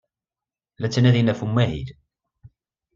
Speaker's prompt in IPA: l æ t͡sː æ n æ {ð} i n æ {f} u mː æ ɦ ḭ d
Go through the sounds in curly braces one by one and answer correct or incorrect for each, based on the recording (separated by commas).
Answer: correct, correct